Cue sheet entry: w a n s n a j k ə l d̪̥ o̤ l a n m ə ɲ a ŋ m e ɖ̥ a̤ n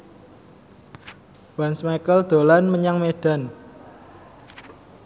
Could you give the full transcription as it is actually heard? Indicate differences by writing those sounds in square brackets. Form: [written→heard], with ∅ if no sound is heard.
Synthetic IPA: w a n s [n→m] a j k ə l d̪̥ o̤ l a n m ə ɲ a ŋ m e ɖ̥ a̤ n